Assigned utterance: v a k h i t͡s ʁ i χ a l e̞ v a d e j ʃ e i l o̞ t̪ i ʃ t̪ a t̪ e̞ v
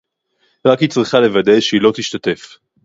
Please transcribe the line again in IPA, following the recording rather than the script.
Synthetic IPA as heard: ʁ a k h i t͡s ʁ i χ a l e̞ v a d e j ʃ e i l o̞ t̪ i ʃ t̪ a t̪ e̞ f